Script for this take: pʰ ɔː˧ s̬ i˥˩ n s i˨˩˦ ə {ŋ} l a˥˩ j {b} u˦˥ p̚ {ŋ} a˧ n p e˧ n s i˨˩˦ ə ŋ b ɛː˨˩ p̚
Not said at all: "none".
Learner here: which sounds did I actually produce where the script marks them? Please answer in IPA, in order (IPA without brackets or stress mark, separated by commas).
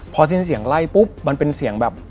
ŋ, p, m